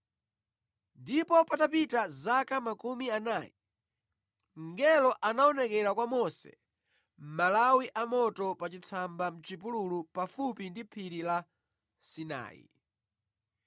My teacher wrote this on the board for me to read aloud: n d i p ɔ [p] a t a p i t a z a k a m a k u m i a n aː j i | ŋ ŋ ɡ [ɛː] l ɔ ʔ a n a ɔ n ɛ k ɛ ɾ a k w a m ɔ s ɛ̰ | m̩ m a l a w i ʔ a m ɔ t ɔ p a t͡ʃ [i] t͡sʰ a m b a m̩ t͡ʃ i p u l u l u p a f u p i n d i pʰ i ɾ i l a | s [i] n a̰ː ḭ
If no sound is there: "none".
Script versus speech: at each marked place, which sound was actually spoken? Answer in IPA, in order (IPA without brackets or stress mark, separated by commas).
p, ɛ, i, i